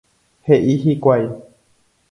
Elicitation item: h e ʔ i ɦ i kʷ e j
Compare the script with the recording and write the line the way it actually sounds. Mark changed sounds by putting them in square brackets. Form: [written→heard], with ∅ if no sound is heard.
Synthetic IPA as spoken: h e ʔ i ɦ i kʷ [e→a] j